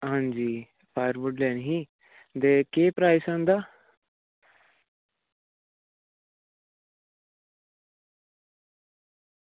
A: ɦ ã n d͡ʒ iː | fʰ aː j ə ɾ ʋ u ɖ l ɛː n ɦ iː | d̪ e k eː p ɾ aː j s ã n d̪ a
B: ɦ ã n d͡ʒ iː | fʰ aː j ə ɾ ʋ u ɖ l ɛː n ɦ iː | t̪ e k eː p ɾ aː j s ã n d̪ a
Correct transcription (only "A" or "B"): A